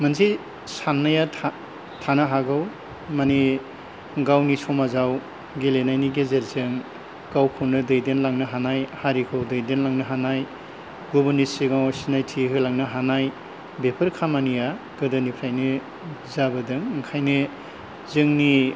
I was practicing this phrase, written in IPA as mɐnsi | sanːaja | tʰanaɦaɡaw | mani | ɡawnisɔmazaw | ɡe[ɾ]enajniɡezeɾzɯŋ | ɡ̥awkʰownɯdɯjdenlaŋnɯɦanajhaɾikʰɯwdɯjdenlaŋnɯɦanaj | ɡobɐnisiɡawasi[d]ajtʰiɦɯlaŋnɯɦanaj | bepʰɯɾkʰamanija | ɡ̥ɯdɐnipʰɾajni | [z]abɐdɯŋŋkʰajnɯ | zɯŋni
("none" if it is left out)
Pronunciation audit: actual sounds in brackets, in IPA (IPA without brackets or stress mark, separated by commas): l, n, z